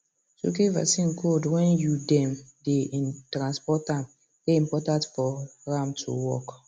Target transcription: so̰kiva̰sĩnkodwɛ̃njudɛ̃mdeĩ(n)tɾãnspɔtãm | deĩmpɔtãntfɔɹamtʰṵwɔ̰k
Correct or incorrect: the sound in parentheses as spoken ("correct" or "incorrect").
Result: correct